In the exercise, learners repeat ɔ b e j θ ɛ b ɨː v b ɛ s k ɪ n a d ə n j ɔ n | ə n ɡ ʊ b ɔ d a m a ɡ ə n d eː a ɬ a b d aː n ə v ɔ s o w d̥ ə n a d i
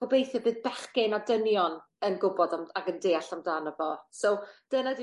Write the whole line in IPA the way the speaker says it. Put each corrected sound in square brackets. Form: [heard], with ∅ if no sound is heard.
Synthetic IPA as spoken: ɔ b e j θ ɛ b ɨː [ð] b ɛ [χ] k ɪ n a d ə n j ɔ n | ə n ɡ ʊ b ɔ d a m a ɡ ə n d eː a ɬ a [m] d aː n ə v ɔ s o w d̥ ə n a d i